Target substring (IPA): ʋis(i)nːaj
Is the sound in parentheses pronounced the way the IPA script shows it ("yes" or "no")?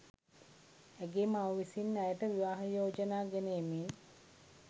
yes